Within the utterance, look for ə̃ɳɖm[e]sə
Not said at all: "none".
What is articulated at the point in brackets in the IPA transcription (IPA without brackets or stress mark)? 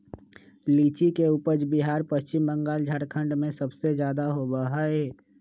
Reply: ẽ